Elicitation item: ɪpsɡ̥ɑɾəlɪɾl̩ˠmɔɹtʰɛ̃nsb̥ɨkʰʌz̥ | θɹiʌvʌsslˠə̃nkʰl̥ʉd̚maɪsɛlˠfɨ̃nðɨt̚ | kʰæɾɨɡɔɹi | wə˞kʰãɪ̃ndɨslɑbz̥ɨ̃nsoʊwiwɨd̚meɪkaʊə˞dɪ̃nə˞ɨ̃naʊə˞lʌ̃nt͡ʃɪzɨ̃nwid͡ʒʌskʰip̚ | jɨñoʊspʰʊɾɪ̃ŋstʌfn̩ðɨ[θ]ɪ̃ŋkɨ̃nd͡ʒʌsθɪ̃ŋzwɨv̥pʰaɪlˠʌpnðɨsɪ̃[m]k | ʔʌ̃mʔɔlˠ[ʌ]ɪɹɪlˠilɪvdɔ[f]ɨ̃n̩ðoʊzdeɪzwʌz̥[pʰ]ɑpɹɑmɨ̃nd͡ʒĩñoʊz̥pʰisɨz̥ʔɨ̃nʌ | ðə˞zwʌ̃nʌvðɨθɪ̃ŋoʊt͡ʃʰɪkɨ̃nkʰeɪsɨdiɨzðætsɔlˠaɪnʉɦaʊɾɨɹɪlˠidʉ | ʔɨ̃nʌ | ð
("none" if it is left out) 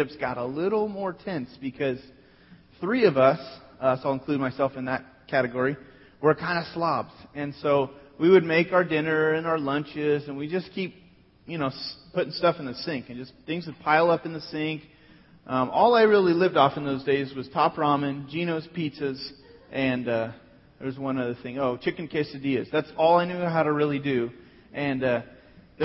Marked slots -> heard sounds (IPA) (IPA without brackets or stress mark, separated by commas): s, ŋ, a, f, tʰ